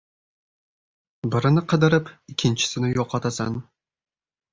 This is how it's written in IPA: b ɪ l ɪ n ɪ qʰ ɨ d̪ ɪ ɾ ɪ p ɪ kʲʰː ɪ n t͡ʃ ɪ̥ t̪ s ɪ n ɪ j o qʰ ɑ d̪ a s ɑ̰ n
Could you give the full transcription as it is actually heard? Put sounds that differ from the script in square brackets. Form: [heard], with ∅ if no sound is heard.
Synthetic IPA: b ɪ [ɾ] ɪ n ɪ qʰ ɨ d̪ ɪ ɾ ɪ p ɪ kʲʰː ɪ n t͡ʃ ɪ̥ [∅] s ɪ n ɪ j o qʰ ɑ [t̪] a s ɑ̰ n